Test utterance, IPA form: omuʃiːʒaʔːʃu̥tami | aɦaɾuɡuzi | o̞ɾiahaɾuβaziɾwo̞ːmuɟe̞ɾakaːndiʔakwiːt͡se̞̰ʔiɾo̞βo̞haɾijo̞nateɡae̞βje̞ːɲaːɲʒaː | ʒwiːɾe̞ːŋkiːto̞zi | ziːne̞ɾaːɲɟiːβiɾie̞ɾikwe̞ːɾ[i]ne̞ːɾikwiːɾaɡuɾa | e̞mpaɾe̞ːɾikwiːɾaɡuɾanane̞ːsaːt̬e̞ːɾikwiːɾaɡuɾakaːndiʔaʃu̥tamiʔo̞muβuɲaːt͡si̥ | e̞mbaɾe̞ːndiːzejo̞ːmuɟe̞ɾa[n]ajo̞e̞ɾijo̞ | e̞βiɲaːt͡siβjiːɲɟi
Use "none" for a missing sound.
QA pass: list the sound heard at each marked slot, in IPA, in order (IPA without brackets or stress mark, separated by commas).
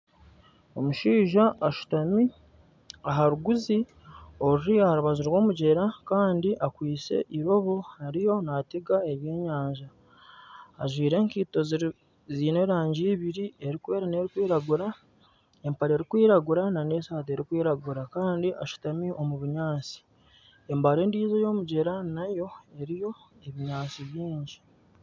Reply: a, n